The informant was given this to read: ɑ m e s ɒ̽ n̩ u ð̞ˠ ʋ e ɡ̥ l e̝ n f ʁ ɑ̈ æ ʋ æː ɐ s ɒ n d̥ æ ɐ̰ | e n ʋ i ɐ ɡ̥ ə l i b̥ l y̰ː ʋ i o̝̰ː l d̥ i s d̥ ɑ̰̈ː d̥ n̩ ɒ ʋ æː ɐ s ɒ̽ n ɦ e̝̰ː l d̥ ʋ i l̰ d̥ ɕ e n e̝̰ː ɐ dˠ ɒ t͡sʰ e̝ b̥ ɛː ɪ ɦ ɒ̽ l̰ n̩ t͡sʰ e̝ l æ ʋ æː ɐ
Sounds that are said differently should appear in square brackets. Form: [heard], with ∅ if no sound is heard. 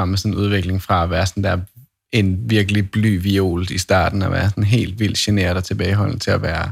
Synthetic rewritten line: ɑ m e s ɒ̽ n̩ u ð̞ˠ ʋ e ɡ̥ l e̝ [ŋ] f ʁ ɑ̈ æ ʋ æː ɐ s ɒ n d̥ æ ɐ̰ | e n ʋ i ɐ ɡ̥ ə l i b̥ l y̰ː ʋ i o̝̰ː l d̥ i s d̥ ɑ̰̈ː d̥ n̩ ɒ ʋ æː ɐ s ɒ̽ n ɦ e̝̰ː l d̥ ʋ i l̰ d̥ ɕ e n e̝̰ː ɐ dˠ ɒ t͡sʰ e̝ b̥ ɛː ɪ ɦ ɒ̽ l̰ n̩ t͡sʰ e̝ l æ ʋ æː ɐ